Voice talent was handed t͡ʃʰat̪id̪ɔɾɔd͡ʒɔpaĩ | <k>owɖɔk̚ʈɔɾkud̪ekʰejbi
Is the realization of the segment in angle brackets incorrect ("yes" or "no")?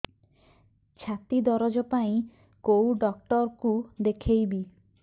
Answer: no